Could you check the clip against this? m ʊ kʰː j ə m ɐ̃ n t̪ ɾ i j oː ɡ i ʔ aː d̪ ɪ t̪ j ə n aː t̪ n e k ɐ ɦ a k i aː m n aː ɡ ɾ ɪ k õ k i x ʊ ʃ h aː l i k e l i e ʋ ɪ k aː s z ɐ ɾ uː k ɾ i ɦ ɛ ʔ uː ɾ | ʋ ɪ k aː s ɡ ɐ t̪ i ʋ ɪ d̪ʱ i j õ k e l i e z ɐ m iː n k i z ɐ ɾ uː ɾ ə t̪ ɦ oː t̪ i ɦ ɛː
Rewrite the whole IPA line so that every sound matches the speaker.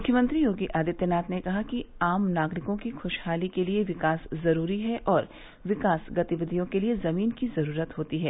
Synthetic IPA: m ʊ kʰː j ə m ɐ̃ n t̪ ɾ i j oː ɡ i ʔ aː d̪ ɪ t̪ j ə n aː t̪ n e k ɐ ɦ a k i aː m n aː ɡ ɾ ɪ k õ k i x ʊ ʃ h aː l i k e l i e ʋ ɪ k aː s z ɐ ɾ uː ɾ i ɦ ɛ ʔ ɔː ɾ | ʋ ɪ k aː s ɡ ɐ t̪ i ʋ ɪ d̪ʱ i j õ k e l i e z ɐ m iː n k i z ɐ ɾ uː ɾ ə t̪ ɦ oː t̪ i ɦ ɛː